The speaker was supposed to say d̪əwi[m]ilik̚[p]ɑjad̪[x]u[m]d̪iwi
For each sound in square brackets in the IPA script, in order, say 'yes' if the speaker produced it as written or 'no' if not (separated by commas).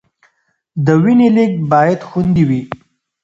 no, no, yes, no